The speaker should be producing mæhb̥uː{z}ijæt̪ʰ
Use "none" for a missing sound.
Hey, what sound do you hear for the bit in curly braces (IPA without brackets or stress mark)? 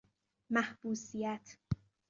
s